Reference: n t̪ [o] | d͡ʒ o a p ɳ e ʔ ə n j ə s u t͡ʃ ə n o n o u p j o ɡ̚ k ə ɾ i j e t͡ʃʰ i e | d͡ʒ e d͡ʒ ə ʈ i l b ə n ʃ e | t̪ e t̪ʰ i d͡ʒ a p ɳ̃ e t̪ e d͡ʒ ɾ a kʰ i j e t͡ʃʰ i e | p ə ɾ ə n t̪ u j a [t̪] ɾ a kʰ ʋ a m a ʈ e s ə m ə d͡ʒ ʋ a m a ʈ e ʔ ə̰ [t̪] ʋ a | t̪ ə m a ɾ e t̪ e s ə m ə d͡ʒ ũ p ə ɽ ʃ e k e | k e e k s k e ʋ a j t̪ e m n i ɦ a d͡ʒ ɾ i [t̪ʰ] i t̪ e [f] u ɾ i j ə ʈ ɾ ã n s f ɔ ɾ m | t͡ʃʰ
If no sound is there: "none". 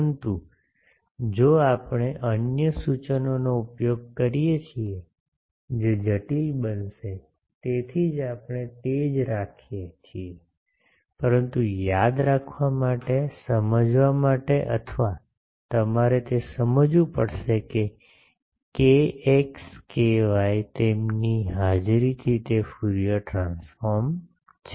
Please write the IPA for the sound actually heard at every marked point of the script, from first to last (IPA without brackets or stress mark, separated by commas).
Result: u, d̪, t̪ʰ, t̪ʰ, f